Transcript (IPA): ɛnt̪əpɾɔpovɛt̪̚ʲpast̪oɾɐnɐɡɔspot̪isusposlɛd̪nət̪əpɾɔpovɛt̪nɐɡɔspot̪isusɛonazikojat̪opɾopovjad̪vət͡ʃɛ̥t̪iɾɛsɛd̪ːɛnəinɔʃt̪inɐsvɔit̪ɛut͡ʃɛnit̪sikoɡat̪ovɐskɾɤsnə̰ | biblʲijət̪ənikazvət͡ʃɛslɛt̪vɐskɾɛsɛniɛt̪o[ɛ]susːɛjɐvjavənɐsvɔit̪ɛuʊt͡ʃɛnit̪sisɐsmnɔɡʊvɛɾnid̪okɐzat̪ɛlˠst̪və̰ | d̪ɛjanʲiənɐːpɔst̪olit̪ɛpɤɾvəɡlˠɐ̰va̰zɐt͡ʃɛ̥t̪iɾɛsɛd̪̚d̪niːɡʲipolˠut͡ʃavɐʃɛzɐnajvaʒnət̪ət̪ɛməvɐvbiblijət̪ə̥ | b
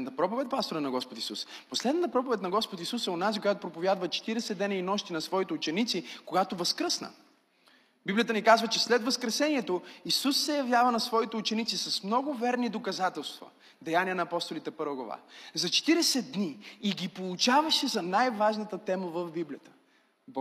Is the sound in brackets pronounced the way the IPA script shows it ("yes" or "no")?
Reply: no